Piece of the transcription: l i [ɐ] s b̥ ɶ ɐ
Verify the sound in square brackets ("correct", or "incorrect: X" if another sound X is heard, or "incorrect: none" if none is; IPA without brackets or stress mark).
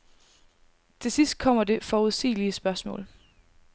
incorrect: ə